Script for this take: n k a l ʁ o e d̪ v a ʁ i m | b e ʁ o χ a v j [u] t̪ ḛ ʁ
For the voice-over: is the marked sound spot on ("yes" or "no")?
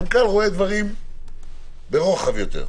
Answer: no